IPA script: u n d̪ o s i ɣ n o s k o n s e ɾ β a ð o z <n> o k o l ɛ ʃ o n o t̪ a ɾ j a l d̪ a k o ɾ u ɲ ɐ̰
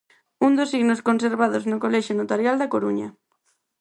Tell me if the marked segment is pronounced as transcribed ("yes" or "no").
yes